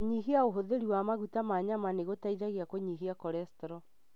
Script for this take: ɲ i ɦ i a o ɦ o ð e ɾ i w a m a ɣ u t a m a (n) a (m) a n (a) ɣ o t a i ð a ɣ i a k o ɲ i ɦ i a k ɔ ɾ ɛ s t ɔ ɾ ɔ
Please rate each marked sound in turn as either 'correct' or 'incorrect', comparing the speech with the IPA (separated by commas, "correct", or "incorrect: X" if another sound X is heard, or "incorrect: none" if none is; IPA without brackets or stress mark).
incorrect: ɲ, correct, incorrect: e